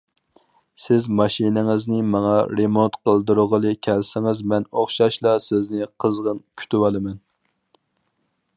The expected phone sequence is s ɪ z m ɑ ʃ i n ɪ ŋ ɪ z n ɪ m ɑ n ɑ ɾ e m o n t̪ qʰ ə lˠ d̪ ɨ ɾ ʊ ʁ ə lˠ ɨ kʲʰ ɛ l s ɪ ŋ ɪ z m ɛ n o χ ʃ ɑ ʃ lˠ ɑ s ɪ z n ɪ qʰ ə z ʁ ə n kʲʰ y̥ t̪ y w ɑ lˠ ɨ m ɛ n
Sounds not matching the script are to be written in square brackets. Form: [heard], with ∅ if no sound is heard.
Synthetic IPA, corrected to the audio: s ɪ z m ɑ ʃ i n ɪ ŋ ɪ z n ɪ m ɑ [ŋ] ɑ ɾ e m o n t̪ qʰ ə lˠ d̪ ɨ ɾ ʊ ʁ ə lˠ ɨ kʲʰ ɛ l s ɪ ŋ ɪ z m ɛ n o χ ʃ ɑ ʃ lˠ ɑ s ɪ z n ɪ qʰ ə z ʁ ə n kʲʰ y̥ t̪ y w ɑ lˠ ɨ m ɛ n